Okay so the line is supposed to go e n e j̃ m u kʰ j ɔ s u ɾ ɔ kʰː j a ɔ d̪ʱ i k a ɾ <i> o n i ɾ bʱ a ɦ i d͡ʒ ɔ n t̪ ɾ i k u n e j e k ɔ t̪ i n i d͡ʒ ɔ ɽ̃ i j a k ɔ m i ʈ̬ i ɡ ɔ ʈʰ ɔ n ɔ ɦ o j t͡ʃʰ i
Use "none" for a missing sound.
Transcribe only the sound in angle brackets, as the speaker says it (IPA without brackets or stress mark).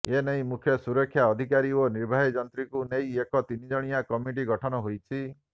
i